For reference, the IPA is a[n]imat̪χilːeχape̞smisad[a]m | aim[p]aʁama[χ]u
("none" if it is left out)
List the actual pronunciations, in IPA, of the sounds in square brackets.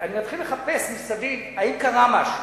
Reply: n, i, k, ʃ

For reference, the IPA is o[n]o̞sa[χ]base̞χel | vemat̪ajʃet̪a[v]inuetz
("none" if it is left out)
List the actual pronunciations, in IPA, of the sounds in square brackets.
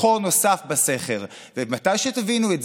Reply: n, f, v

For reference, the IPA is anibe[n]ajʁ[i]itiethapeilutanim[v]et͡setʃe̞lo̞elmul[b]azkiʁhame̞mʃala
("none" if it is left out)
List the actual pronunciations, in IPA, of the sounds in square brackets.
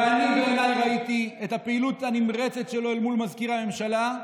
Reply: n, a, ʁ, m

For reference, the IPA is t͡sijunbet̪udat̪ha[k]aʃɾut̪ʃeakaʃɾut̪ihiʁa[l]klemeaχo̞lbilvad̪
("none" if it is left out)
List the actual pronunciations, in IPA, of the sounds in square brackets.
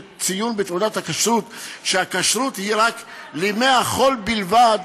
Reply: k, none

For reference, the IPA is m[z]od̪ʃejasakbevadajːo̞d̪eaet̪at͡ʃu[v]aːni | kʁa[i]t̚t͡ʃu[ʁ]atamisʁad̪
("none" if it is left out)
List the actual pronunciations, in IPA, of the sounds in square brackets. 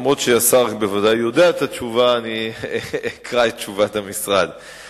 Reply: ʁ, v, e, v

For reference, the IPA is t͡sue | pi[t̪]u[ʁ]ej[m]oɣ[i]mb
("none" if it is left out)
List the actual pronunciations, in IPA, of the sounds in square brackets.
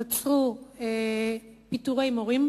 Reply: t̪, ɣ, m, i

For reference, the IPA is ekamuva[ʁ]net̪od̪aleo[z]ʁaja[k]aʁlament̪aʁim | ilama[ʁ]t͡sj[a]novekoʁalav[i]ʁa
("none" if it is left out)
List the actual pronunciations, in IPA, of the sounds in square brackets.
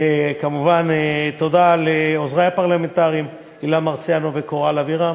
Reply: none, z, p, ʁ, a, i

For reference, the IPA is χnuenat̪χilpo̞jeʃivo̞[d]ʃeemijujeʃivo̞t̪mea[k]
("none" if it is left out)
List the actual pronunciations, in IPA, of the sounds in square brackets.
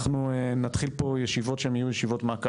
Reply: t, k

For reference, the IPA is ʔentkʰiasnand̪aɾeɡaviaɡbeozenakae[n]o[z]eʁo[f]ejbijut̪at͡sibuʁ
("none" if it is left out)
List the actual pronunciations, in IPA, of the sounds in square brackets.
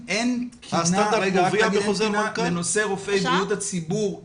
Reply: n, s, f

